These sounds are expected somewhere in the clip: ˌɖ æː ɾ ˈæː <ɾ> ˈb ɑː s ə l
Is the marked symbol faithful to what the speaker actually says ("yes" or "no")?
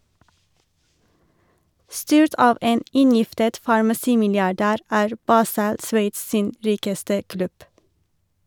no